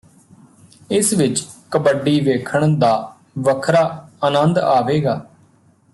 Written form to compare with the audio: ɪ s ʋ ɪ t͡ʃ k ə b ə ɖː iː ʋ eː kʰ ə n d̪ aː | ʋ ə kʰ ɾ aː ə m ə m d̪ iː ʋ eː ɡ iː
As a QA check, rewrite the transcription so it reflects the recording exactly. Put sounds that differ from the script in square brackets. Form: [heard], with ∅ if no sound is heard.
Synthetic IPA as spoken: ɪ s ʋ ɪ t͡ʃ k ə b ə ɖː iː ʋ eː kʰ ə [ɳ] d̪ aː | ʋ ə kʰ ɾ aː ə [n] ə [n] d̪ [aː] ʋ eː ɡ [aː]